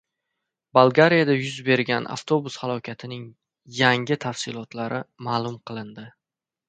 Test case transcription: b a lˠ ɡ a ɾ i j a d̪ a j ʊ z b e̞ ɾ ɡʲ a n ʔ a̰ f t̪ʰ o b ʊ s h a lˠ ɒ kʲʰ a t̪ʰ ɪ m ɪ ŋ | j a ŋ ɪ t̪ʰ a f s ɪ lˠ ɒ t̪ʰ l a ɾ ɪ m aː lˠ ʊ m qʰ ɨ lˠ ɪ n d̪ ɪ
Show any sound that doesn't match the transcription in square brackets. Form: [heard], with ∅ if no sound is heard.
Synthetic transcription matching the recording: b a lˠ ɡ a ɾ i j a d̪ a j ʊ z b e̞ ɾ ɡʲ a n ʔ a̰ f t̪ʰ o b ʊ s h a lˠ ɒ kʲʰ a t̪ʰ ɪ [n] ɪ ŋ | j a ŋ ɪ t̪ʰ a f s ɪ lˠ ɒ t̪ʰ l a ɾ ɪ m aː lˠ ʊ m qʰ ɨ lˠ ɪ n d̪ ɪ